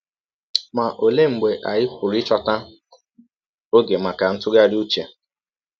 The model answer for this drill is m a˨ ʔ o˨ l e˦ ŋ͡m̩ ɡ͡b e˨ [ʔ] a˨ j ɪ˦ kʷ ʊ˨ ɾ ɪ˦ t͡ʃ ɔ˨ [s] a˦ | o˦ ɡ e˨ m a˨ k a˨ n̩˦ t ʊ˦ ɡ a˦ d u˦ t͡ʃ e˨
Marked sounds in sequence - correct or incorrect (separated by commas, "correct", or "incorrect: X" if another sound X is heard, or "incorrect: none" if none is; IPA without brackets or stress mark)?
correct, incorrect: t